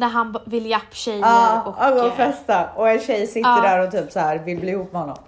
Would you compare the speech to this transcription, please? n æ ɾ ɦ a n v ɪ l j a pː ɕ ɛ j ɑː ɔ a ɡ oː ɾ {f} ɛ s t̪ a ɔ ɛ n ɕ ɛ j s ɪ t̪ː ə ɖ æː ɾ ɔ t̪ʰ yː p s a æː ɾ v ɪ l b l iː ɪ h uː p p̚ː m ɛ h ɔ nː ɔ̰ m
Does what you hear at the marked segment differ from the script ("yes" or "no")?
no